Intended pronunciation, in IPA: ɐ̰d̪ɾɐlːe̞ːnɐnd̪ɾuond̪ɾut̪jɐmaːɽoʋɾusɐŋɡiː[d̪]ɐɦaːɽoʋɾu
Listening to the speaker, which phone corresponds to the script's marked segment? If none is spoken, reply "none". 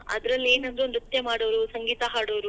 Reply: t̪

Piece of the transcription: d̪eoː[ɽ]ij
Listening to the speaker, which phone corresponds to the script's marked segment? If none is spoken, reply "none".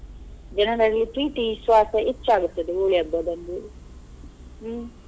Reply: ɭ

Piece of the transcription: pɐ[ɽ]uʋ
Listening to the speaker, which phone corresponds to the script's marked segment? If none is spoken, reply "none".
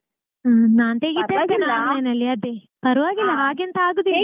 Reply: ɾ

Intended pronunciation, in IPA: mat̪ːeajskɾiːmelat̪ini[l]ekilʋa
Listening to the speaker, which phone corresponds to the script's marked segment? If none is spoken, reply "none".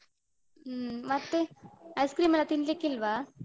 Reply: l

